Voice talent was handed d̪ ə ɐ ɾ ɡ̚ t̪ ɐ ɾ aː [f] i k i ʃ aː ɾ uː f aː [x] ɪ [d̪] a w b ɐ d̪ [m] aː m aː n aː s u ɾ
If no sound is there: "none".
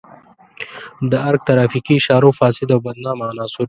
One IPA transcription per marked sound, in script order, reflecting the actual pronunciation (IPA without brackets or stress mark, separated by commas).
f, s, d̪, n